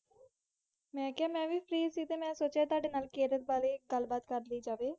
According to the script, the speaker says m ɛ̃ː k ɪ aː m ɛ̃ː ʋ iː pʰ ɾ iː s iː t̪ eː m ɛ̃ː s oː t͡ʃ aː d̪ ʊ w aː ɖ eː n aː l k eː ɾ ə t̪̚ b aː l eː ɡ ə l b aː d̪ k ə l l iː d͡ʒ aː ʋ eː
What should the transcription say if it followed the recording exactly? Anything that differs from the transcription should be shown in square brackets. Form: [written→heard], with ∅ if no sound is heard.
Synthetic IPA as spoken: m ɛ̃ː k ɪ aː m ɛ̃ː ʋ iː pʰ ɾ iː s iː t̪ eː m ɛ̃ː s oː t͡ʃ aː [d̪→t̪] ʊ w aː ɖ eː n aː l k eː ɾ ə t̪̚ b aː l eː ɡ ə l b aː [d̪→t̪] k ə [l→ɾ] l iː d͡ʒ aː ʋ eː